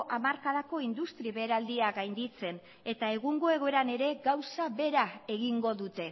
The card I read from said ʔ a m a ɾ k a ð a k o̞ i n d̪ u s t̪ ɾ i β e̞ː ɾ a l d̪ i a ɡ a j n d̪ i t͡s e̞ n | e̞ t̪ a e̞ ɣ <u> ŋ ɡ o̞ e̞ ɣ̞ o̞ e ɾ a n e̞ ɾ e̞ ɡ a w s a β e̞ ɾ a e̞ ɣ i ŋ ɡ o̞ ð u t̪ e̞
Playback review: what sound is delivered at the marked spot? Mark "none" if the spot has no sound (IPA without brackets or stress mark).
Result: u